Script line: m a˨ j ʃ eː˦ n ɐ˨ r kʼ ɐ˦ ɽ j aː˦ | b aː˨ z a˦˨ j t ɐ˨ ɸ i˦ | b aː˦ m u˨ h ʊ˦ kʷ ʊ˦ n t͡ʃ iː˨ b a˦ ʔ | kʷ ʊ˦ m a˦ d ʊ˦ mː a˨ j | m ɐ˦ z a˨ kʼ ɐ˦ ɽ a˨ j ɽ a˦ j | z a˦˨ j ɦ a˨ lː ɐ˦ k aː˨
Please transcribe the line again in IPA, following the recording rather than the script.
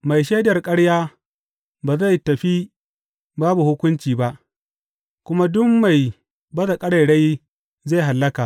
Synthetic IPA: m a˨ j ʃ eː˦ d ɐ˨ r kʼ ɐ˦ ɽ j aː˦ | b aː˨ z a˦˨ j t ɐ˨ ɸ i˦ | b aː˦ b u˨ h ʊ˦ kʷ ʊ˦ n t͡ʃ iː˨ b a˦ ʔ | kʷ ʊ˦ m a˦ d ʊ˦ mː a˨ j | b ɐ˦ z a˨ kʼ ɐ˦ ɽ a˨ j ɽ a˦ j | z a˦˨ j ɦ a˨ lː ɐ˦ k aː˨